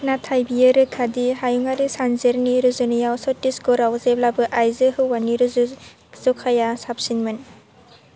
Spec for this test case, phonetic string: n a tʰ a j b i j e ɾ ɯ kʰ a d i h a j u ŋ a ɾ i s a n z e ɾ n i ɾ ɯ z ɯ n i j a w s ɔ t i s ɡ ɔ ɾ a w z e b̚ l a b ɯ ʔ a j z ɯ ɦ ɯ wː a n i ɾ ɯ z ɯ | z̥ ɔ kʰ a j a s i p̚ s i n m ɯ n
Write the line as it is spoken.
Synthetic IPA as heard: n a tʰ a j b i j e ɾ ɯ kʰ a d i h a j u ŋ a ɾ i s a n z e ɾ n i ɾ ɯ z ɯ n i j a w s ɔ t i s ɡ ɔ ɾ a w z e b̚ l a b ɯ ʔ a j z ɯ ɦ ɯ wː a n i ɾ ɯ z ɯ | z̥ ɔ kʰ a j a s a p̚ s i n m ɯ n